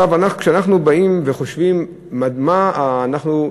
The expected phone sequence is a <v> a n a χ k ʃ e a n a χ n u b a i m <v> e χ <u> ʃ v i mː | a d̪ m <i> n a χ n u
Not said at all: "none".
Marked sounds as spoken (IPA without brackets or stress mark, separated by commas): v, v, o, a